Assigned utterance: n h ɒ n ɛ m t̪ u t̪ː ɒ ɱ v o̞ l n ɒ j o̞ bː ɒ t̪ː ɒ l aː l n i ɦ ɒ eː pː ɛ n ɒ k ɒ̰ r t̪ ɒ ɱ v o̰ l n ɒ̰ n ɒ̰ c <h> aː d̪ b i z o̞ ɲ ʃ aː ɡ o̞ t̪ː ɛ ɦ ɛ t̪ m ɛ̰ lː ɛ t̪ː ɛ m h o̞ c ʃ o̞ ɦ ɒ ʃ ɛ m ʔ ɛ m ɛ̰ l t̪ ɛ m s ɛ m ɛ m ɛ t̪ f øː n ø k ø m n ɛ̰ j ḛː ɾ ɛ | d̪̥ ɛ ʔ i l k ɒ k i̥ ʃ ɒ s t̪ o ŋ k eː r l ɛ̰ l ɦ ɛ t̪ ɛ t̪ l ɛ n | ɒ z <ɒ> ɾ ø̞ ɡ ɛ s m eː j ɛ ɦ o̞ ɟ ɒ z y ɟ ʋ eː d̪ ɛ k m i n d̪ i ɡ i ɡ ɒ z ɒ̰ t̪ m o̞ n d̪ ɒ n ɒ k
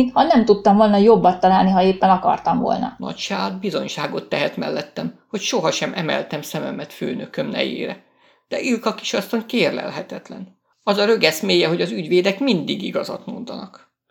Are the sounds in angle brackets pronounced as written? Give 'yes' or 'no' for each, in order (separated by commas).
no, yes